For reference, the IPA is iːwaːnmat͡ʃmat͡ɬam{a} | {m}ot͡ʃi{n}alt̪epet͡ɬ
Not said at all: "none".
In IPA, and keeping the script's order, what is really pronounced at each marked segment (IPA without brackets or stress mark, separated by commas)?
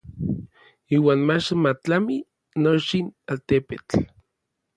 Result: i, n, n